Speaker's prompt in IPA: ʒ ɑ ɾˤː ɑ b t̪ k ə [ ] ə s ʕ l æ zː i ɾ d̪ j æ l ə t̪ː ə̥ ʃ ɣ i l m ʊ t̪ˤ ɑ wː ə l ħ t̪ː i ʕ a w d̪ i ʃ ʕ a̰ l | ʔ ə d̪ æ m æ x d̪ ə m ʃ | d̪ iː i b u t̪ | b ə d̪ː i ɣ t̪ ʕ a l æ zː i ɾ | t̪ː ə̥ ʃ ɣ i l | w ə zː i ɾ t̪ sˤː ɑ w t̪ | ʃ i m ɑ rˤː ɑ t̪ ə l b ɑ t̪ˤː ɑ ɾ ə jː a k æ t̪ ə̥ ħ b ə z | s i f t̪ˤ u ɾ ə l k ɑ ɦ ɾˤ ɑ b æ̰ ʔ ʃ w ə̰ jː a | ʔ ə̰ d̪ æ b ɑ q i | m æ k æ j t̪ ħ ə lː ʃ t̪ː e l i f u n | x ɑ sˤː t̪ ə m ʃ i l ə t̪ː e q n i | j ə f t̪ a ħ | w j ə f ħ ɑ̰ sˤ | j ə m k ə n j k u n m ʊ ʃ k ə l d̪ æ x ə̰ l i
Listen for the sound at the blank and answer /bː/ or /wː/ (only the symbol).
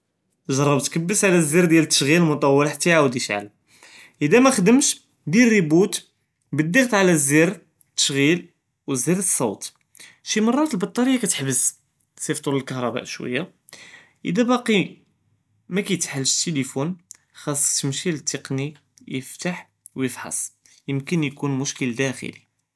bː